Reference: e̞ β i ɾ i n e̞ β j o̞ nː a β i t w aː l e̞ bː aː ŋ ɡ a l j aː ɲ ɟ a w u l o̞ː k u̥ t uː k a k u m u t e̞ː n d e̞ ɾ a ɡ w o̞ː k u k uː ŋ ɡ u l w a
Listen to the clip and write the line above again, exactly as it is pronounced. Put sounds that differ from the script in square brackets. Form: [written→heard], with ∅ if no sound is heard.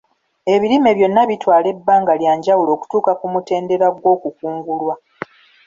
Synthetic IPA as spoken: e̞ β i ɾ i [n→m] e̞ β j o̞ nː a β i t w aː l e̞ bː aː ŋ ɡ a l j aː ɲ ɟ a w u l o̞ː k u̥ t uː k a k u m u t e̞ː n d e̞ ɾ a ɡ w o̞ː k u k uː ŋ ɡ u l w a